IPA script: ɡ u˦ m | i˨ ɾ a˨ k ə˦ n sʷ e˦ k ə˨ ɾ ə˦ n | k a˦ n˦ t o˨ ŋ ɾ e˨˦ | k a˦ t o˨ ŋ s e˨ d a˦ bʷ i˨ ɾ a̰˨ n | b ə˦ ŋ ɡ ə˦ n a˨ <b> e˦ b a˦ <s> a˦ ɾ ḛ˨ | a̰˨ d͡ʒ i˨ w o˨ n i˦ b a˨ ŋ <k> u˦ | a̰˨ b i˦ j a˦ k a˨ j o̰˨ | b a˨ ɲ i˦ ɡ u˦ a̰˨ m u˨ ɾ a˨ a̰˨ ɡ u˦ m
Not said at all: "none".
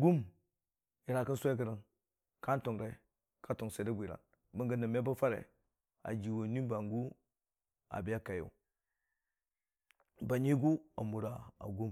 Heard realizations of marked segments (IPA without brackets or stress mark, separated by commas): m, f, ɡ